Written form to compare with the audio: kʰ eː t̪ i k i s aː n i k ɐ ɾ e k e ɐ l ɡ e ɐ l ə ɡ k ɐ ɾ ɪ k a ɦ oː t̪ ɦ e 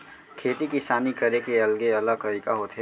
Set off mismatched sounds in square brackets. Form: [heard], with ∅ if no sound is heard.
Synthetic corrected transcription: kʰ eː t̪ i k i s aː n i k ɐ ɾ e k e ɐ l ɡ e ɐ l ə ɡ k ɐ ɾ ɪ k a ɦ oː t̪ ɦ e

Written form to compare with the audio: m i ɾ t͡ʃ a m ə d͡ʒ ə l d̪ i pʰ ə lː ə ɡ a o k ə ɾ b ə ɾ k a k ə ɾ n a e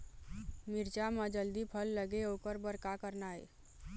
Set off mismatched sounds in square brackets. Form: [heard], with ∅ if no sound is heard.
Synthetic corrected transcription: m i ɾ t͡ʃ a m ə d͡ʒ ə l d̪ i pʰ ə lː ə ɡ [e] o k ə ɾ b ə ɾ k a k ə ɾ n a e

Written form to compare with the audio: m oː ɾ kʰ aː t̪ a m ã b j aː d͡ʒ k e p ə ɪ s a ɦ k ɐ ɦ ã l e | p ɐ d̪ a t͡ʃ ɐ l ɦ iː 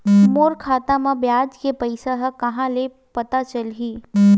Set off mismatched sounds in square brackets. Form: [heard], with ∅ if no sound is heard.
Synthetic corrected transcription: m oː ɾ kʰ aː t̪ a m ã b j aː d͡ʒ k e p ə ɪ s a ɦ k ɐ ɦ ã l e | p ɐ [t̪] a t͡ʃ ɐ l ɦ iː

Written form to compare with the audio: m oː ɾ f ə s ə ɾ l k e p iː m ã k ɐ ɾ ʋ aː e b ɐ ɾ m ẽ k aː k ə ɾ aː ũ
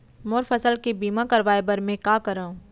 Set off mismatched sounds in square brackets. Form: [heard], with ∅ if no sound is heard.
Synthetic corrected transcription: m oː ɾ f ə s ə [∅] l k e [b] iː m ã k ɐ ɾ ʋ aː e b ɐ ɾ m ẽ k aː k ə ɾ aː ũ

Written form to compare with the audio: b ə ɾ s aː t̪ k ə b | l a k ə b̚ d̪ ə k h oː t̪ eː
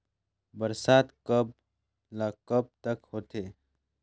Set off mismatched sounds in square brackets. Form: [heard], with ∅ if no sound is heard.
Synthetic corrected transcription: b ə ɾ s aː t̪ k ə b | l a k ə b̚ [t̪] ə k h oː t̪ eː

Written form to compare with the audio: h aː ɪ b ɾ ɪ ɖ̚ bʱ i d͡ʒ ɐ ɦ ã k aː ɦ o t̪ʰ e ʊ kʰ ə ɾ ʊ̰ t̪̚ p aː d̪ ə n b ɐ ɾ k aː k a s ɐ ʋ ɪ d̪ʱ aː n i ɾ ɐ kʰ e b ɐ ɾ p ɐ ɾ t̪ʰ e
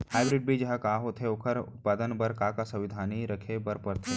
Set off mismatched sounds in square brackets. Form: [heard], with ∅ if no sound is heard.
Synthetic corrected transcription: h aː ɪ b ɾ ɪ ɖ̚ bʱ i d͡ʒ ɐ ɦ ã k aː ɦ o t̪ʰ e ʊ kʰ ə ɾ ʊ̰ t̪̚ p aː d̪ ə n b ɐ ɾ k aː k a s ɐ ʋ ɪ d̪ʱ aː n i ɾ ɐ kʰ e b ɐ ɾ p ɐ ɾ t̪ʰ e

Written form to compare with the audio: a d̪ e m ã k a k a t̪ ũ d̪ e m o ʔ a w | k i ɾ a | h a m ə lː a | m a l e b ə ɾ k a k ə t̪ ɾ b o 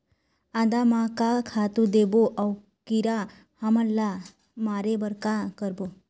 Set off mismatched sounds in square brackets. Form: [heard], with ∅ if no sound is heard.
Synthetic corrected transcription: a d̪ [a] m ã k a [kʰ] a t̪ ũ d̪ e [b] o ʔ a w | k i ɾ a | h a m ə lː a | m a [ɾ] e b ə ɾ k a k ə [∅] ɾ b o

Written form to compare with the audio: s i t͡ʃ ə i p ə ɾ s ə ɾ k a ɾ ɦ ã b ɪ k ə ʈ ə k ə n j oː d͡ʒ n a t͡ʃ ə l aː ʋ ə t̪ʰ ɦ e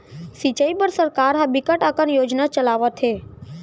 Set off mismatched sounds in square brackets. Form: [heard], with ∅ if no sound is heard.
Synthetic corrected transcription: s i t͡ʃ ə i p ə ɾ s ə ɾ k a ɾ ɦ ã b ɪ k ə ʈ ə k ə n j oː d͡ʒ n a t͡ʃ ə l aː ʋ ə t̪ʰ ɦ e

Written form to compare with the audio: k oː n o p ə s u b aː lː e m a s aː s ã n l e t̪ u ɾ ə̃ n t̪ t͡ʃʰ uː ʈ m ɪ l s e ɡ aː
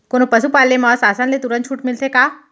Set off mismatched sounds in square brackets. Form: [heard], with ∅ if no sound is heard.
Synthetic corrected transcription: k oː n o p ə s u [p] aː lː e m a s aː s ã n l e t̪ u ɾ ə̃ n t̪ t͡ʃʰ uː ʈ m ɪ l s e [k] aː

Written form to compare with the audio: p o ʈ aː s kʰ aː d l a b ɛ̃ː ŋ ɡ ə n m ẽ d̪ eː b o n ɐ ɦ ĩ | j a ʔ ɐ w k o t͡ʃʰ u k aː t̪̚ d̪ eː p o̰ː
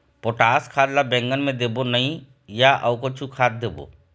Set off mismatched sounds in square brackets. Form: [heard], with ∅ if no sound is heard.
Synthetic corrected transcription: p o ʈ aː s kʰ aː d l a b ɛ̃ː ŋ ɡ ə n m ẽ d̪ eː b o n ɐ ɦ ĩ | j a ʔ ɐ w k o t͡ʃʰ u [kʰ] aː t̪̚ d̪ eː [b] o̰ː

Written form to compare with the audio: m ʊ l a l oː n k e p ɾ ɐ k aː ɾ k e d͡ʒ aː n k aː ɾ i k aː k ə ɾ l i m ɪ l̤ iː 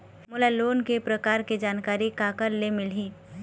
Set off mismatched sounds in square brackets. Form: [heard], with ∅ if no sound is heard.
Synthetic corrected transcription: m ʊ l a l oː n k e p ɾ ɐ k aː ɾ k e d͡ʒ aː n k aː ɾ i k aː k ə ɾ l [e] m ɪ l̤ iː

